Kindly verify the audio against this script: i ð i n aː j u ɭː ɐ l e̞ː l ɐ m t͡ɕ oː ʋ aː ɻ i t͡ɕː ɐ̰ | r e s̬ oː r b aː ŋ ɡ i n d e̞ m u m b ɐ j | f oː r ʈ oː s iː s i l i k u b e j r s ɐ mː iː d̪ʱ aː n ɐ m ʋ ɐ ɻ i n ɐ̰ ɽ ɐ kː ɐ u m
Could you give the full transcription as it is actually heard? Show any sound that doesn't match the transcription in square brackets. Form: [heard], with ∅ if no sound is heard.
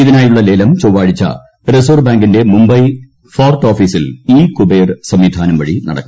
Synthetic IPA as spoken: i ð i n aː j u ɭː ɐ l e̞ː l ɐ m t͡ɕ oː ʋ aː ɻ i t͡ɕː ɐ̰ | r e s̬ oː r b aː ŋ ɡ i n d e̞ m u m b ɐ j | f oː r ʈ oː [f] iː s i l [iː] k u b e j r s ɐ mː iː d̪ʱ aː n ɐ m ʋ ɐ ɻ i n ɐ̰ ɽ ɐ kː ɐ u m

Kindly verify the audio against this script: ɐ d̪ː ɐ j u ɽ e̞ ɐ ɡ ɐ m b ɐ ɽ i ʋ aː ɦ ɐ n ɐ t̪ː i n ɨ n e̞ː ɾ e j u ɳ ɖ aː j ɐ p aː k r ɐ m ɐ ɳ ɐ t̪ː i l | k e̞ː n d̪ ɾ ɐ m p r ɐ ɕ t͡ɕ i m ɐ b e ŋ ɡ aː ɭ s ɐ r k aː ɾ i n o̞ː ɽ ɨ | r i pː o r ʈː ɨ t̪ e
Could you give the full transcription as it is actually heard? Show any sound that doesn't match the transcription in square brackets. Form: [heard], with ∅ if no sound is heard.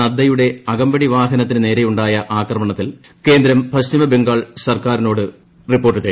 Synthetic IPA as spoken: ɐ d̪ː ɐ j u ɽ e̞ ɐ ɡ ɐ m b ɐ ɽ i ʋ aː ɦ ɐ n ɐ t̪ː i n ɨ n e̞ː ɾ e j u ɳ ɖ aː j ɐ [ʔ] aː k r ɐ m ɐ ɳ ɐ t̪ː i l | k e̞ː n d̪ ɾ ɐ m p r ɐ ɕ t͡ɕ i m ɐ b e ŋ ɡ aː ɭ s ɐ r k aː ɾ i n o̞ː ɽ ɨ | r i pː o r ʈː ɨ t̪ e

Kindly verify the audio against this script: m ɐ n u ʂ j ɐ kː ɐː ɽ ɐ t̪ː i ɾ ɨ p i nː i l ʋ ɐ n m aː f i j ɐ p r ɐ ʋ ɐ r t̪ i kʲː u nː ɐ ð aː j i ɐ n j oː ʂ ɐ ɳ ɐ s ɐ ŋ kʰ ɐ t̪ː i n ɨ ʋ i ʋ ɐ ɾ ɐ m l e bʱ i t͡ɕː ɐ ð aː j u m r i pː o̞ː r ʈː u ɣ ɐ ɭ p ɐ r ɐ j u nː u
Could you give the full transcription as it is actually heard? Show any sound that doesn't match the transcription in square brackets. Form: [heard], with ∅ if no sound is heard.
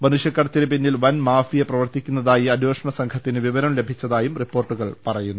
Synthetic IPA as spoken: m ɐ n u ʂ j ɐ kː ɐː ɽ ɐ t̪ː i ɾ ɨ p i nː i l ʋ ɐ n m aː f i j ɐ p r ɐ ʋ ɐ r t̪ i kʲː u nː ɐ ð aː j i ɐ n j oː ʂ ɐ ɳ ɐ s ɐ ŋ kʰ ɐ t̪ː i n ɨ ʋ i ʋ ɐ ɾ ɐ m l e bʱ i t͡ɕː ɐ ð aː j u m r i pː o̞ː r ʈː u ɣ ɐ ɭ p ɐ r ɐ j u nː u

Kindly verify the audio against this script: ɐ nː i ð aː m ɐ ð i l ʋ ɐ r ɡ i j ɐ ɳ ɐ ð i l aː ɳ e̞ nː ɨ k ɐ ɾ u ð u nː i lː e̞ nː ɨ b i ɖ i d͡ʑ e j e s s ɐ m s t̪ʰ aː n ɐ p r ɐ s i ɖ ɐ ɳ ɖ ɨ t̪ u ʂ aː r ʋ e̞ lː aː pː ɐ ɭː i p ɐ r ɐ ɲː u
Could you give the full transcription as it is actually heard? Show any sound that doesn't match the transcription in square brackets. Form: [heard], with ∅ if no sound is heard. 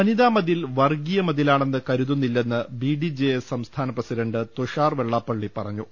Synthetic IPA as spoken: ɐ [n] i ð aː m ɐ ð i l ʋ ɐ r ɡ i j ɐ [m] ɐ ð i l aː ɳ e̞ nː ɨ k ɐ ɾ u ð u nː i lː e̞ nː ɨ b i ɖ i d͡ʑ e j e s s ɐ m s t̪ʰ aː n ɐ p r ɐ s i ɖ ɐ ɳ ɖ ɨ t̪ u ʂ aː r ʋ e̞ [ɭː] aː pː ɐ ɭː i p ɐ r ɐ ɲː u

